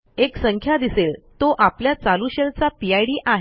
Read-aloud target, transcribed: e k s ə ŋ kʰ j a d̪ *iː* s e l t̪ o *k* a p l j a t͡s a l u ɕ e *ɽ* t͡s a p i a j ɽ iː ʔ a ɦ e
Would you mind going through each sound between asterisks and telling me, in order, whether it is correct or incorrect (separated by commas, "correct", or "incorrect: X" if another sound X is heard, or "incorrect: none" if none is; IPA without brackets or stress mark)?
incorrect: i, incorrect: ʔ, incorrect: l